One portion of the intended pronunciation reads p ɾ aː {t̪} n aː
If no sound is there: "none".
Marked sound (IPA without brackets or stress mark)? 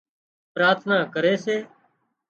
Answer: t̪ʰ